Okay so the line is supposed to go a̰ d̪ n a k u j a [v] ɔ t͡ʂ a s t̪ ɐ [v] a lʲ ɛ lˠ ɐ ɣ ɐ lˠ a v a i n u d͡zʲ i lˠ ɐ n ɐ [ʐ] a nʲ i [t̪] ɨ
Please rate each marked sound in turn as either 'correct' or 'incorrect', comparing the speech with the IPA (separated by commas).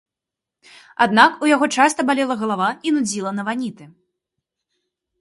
incorrect, incorrect, incorrect, correct